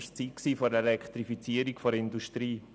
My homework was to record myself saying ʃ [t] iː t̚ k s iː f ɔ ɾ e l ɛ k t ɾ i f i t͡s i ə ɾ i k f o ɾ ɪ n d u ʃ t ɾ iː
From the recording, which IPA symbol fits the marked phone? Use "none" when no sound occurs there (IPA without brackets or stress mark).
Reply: t͡s